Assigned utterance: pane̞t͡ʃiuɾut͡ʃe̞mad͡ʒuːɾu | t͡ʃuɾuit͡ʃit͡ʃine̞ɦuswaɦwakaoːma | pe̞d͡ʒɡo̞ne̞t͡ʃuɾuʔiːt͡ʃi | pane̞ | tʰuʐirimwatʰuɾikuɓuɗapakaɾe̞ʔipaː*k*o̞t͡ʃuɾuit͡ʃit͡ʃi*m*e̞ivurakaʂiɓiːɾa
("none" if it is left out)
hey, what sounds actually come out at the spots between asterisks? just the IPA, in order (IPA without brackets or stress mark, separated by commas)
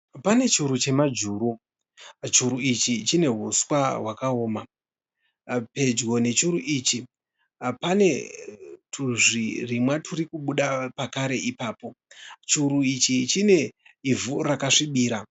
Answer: p, n